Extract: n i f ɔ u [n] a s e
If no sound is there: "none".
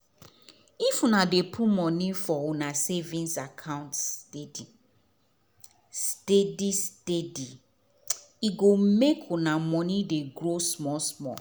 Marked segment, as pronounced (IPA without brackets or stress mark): n